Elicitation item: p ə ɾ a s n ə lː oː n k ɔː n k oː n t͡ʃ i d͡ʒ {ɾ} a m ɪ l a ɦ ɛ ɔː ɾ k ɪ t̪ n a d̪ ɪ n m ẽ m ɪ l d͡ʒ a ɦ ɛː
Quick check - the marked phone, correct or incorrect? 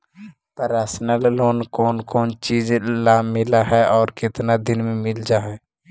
incorrect